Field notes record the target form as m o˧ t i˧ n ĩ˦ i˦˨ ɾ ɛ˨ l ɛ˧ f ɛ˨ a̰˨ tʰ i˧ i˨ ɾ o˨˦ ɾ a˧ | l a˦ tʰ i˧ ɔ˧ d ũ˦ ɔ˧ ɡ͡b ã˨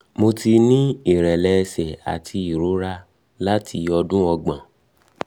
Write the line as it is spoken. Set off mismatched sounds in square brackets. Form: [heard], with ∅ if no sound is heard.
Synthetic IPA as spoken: m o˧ t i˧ n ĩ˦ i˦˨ ɾ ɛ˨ l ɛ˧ [s] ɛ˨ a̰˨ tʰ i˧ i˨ ɾ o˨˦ ɾ a˧ | l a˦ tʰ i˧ ɔ˧ d ũ˦ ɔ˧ ɡ͡b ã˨

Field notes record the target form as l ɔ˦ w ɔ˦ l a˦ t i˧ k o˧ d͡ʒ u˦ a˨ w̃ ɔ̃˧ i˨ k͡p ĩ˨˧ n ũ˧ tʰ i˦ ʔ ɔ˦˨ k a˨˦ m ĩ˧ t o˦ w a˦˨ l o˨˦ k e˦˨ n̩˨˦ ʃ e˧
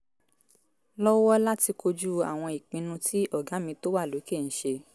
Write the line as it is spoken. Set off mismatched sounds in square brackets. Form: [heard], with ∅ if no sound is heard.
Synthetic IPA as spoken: l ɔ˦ w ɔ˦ l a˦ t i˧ k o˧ d͡ʒ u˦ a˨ w̃ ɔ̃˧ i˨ k͡p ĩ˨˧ n ũ˧ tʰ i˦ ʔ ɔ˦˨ [ɡ] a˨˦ m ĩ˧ t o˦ w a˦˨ l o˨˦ k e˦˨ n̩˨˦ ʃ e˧

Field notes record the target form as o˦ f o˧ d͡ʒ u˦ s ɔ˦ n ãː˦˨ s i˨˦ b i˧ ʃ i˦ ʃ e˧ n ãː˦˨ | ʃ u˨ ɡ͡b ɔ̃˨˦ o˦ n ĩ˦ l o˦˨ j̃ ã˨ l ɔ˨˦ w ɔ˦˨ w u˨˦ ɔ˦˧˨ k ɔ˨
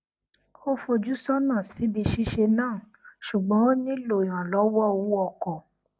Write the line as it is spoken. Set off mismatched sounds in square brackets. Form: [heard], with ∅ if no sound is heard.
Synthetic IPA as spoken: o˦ f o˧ d͡ʒ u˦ s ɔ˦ n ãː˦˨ s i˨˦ b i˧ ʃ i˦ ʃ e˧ n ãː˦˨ | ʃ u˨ ɡ͡b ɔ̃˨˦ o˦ n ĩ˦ l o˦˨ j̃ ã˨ l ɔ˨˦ w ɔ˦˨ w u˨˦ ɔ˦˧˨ k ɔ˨

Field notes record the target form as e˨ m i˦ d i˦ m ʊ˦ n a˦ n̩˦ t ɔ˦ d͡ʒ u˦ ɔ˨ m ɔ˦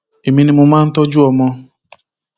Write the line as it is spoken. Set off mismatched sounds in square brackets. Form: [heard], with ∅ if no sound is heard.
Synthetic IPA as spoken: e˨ m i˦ [n] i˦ m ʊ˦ [m] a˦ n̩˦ t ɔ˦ d͡ʒ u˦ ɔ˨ m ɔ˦

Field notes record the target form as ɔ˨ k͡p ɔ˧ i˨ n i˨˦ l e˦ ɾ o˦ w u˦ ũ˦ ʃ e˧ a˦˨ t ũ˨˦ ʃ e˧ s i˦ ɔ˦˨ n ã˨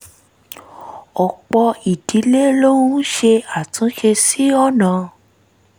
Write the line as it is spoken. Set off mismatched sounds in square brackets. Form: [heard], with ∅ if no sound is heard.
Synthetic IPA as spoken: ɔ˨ k͡p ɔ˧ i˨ [d] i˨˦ l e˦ [l] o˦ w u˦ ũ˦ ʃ e˧ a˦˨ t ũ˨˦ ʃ e˧ s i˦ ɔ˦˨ n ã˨

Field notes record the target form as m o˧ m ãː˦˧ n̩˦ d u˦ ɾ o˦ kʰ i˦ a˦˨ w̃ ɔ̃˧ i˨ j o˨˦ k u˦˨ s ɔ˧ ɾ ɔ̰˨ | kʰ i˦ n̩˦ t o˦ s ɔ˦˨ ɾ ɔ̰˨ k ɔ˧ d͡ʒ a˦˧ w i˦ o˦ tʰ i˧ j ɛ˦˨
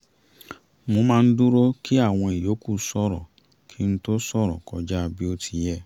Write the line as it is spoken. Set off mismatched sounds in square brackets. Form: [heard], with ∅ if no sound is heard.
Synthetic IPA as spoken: m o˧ m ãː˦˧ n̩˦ d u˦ ɾ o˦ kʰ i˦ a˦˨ w̃ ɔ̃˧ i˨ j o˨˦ k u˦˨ s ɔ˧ ɾ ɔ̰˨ | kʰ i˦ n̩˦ t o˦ s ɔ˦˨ ɾ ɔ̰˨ k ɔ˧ d͡ʒ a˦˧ [b] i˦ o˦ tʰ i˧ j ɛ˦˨

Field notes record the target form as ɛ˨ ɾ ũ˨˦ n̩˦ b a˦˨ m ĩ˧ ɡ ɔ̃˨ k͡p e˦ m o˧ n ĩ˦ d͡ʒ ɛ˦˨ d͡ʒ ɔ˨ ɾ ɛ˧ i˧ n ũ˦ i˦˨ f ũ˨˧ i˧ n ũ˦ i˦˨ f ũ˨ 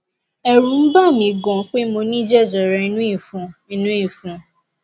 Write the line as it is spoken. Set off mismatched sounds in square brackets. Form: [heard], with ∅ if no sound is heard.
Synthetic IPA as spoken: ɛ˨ ɾ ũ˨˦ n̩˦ b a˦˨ m ĩ˧ ɡ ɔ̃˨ k͡p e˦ m o˧ n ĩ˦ d͡ʒ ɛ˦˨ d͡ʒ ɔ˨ ɾ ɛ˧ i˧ n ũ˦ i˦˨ f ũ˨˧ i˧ n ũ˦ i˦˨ f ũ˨

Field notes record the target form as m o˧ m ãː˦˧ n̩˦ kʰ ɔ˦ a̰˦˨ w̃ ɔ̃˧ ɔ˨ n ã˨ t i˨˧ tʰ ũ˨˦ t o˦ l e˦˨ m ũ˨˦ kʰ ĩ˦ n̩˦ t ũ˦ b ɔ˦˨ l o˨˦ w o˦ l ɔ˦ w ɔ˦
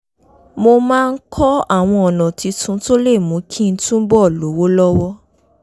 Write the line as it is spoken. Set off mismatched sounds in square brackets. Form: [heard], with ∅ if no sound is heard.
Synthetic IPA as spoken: m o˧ m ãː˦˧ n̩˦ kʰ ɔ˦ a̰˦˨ w̃ ɔ̃˧ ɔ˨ n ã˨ t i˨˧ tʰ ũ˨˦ t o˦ l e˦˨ m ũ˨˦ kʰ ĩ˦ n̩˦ t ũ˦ b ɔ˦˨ l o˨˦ w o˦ l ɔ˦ w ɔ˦

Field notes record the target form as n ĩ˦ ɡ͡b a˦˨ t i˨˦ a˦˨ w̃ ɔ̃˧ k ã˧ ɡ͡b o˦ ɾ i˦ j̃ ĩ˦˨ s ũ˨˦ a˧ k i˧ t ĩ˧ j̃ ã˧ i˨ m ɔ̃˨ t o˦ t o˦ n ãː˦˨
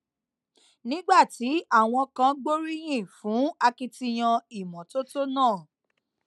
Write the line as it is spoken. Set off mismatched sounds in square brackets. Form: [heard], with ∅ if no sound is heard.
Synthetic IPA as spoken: n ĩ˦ ɡ͡b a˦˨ t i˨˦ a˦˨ w̃ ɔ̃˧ k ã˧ ɡ͡b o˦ ɾ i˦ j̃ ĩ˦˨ [f] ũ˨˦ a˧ k i˧ t [i˧] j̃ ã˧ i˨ m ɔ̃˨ t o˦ t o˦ n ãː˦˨

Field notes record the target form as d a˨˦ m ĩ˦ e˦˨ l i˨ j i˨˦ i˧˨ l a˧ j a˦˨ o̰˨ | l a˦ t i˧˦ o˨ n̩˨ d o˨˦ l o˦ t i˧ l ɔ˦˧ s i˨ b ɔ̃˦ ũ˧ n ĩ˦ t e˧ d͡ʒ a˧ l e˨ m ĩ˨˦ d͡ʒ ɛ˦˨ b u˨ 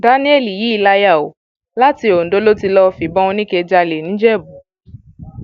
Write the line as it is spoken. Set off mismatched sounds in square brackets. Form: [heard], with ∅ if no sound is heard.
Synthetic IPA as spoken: d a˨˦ [n] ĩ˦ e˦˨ l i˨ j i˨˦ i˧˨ l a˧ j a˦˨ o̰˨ | l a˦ t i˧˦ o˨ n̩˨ d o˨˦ l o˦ t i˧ l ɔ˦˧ [f] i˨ b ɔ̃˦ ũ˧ n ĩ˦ [k] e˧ d͡ʒ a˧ l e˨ [n] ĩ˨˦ d͡ʒ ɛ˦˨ b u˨

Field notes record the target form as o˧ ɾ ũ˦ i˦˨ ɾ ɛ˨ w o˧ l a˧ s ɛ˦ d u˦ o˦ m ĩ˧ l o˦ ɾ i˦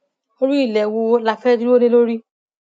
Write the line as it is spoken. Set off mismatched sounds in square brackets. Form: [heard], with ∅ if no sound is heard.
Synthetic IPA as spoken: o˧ ɾ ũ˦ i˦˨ [l] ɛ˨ w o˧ l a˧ [f] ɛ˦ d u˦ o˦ [n] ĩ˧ l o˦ ɾ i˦

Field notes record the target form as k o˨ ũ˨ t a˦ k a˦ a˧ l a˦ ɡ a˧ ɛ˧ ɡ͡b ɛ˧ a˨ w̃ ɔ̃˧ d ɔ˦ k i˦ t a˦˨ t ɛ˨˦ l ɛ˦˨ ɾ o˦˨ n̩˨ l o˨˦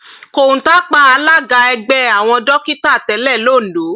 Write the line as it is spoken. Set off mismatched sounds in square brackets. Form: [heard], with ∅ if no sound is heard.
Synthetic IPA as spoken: k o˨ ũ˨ t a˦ [k͡p] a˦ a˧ l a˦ ɡ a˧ ɛ˧ ɡ͡b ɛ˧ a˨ w̃ ɔ̃˧ d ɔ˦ k i˦ t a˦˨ t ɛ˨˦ l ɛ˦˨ [l] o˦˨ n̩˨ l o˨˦

